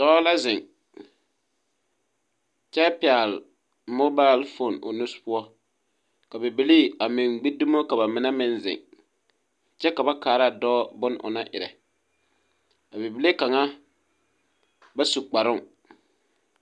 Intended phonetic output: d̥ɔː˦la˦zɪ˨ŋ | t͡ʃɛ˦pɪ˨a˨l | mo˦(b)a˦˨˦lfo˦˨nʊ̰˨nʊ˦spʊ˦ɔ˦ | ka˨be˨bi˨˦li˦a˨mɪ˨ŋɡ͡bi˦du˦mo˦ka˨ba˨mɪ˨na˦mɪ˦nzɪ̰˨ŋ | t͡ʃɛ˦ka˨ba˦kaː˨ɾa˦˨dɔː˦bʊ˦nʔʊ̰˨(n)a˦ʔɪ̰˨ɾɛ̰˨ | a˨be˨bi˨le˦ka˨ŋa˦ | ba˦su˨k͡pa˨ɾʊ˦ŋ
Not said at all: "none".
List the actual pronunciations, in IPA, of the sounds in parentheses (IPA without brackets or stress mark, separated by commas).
b, n